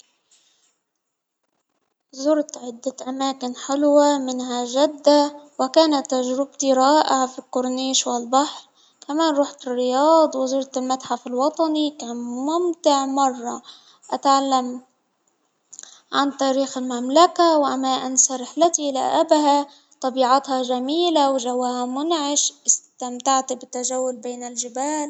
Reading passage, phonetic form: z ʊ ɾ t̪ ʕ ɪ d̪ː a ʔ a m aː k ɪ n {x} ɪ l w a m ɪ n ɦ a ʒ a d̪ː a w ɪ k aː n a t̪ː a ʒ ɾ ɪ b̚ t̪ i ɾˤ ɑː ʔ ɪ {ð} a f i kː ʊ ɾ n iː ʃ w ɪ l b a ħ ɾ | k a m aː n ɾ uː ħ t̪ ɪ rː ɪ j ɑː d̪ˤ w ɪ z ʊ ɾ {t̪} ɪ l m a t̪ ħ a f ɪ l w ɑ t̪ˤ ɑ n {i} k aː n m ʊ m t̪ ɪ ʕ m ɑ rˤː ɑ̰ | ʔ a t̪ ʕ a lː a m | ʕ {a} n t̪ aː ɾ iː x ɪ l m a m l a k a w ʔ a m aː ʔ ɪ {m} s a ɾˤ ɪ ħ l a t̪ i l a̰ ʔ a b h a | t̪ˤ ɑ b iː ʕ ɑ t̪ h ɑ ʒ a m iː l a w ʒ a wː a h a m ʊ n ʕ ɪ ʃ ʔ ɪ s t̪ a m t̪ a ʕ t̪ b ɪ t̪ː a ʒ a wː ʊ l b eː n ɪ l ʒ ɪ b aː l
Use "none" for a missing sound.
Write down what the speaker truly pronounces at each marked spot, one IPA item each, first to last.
ħ, ʕ, t̪, i, a, n

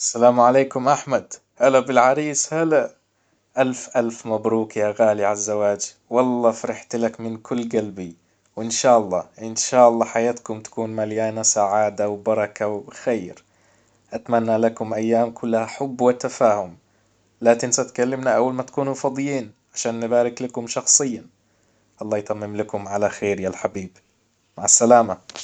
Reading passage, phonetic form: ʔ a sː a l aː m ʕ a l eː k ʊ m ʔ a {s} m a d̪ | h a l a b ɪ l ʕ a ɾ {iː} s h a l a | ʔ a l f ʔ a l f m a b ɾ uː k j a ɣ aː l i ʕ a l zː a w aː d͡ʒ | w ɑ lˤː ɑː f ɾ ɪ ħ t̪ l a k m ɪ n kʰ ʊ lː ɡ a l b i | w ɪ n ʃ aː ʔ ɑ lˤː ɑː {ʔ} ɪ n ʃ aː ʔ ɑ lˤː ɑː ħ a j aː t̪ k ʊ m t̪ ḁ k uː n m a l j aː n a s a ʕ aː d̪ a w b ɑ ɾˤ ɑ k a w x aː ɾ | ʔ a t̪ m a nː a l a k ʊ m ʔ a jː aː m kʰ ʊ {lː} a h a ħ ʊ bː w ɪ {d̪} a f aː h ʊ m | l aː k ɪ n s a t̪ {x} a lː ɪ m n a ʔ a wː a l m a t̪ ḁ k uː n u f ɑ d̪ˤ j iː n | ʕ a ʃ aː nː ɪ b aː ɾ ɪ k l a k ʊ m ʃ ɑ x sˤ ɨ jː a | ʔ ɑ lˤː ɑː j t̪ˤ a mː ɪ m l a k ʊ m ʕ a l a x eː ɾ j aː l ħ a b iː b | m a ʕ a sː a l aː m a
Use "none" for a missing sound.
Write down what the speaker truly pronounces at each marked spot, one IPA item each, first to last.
ħ, iː, ʔ, lː, t̪, k

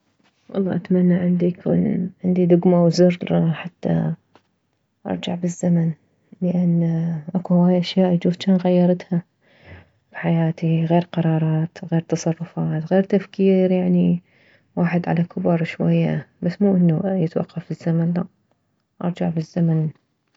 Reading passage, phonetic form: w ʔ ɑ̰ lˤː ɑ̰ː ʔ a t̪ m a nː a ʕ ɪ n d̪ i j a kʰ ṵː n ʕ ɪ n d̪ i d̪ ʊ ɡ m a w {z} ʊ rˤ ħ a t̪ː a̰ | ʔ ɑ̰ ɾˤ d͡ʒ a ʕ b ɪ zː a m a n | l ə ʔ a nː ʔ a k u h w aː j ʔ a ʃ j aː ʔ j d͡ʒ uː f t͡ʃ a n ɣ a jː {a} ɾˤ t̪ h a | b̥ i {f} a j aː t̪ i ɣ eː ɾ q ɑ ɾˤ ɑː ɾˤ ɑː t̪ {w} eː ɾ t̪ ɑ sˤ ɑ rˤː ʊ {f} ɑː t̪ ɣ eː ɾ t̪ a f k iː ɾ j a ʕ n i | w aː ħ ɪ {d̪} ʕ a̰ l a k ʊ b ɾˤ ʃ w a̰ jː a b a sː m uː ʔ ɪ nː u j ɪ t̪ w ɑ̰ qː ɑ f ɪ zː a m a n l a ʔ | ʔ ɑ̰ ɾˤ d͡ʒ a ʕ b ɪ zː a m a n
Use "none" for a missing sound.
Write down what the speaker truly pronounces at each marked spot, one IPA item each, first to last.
z, ɑ, ħ, ɣ, f, d̪

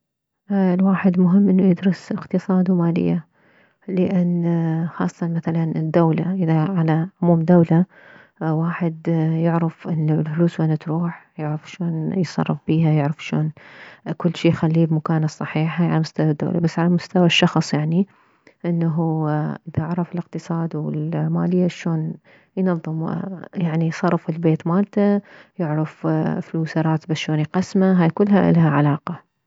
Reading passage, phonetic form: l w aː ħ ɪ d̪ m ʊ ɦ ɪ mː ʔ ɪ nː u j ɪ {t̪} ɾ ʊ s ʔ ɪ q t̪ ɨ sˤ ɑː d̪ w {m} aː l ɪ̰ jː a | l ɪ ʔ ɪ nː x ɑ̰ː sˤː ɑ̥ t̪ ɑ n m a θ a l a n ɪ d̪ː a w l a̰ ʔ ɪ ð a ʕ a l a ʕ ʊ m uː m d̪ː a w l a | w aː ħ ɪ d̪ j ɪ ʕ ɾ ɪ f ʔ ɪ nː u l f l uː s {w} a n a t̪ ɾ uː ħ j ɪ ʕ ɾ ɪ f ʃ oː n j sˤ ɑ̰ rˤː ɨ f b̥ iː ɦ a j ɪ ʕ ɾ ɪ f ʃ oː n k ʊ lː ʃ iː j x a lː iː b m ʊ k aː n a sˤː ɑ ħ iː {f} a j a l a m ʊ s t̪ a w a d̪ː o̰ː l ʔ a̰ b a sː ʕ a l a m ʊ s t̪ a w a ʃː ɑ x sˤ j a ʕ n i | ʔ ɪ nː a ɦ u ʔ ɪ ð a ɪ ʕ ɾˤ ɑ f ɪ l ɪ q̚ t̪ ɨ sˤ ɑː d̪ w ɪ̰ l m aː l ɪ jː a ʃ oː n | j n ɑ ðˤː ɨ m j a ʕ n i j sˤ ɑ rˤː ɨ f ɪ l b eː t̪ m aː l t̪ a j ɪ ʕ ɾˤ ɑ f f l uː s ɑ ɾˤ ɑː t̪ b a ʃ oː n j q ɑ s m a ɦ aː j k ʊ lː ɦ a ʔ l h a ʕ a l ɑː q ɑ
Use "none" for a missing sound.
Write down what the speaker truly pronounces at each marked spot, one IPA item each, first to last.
d̪, m, w, ħ

